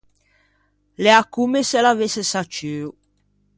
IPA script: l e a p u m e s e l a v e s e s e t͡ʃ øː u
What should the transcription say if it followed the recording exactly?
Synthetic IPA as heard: l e a k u m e s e l a v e s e s a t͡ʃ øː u